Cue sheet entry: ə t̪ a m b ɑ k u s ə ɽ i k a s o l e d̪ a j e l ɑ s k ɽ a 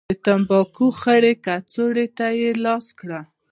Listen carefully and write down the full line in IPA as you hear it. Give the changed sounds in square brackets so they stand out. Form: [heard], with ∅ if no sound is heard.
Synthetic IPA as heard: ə t̪ a m b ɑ k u [x] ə ɽ [e] k a [t͡s] o [ɽ] e [t̪] a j e l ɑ s k ɽ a